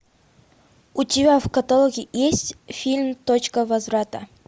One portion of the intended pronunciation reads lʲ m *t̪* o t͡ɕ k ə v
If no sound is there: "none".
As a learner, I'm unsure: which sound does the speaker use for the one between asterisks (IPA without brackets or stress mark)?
t̪